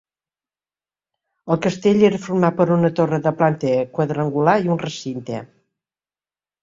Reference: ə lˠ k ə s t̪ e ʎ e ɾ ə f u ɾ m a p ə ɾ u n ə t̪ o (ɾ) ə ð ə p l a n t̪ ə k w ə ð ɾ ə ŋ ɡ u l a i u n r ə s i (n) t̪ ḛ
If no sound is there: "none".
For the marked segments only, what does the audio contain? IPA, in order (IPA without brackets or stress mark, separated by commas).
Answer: r, n